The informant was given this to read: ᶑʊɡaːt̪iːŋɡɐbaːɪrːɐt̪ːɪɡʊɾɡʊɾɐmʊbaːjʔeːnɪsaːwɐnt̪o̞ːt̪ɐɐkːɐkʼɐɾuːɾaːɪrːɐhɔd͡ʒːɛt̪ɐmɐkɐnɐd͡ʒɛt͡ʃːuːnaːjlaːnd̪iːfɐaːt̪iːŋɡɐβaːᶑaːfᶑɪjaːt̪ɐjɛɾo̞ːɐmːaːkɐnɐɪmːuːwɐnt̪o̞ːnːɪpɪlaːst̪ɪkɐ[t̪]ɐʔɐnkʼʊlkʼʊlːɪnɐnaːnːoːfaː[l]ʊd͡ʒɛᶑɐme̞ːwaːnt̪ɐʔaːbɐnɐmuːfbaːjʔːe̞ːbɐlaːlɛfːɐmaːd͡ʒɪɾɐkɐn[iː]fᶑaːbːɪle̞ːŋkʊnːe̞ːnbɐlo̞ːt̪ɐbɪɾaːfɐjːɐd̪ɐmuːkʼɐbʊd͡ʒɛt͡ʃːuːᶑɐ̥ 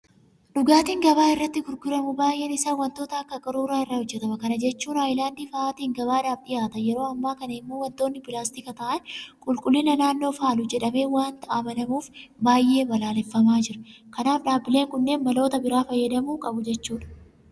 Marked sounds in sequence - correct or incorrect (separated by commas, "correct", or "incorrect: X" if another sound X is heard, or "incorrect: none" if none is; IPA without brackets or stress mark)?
correct, correct, incorrect: aː